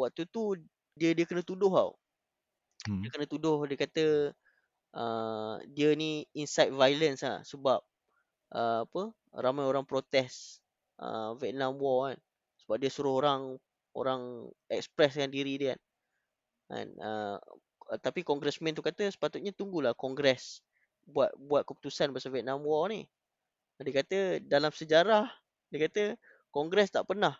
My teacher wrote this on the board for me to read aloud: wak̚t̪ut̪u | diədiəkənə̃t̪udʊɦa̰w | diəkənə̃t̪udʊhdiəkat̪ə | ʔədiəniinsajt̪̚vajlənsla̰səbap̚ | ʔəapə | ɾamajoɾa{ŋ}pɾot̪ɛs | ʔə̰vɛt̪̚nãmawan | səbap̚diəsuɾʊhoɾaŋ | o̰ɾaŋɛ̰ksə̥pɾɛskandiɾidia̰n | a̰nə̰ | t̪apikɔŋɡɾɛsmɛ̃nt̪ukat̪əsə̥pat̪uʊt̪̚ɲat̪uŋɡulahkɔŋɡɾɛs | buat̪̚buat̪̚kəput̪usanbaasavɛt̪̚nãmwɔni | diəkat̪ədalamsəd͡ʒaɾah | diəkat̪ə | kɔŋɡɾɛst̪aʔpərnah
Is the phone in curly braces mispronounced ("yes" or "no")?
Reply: no